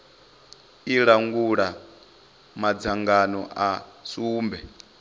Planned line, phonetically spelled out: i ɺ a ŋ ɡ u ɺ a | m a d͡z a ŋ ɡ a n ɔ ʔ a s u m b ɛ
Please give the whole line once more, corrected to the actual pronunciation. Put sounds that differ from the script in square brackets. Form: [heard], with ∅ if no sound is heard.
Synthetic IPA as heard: i ɺ a ŋ ɡ u ɺ a | m a d͡z a ŋ ɡ a n ɔ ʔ a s [uː] m b ɛ